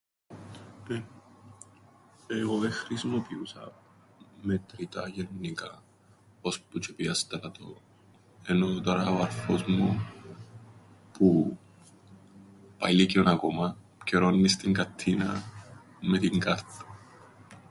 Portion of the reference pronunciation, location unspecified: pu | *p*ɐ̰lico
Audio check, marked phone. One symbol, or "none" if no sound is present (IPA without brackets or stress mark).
p